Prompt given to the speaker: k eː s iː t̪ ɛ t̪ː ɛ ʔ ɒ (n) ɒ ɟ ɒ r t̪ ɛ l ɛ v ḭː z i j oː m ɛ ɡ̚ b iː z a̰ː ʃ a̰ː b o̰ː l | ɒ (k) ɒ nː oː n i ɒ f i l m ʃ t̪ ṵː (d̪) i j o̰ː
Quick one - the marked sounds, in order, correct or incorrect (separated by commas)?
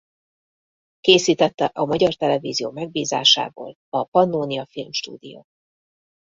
incorrect, incorrect, correct